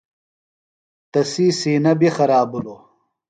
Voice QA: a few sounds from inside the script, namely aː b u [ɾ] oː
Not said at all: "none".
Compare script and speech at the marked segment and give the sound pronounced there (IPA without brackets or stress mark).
l